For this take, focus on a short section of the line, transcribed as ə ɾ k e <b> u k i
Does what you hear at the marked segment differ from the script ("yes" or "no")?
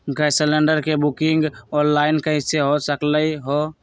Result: no